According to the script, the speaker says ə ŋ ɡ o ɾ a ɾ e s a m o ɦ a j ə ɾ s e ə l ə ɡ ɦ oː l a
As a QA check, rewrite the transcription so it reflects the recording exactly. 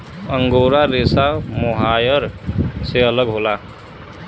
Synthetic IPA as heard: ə ŋ ɡ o ɾ a ɾ e s a m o ɦ a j ə ɾ s e ə l ə ɡ ɦ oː l a